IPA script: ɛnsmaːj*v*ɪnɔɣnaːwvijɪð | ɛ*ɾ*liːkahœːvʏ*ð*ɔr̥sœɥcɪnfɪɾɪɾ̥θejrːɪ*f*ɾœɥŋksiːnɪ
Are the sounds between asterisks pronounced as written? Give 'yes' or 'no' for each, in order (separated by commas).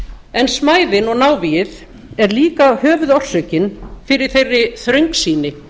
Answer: no, yes, yes, no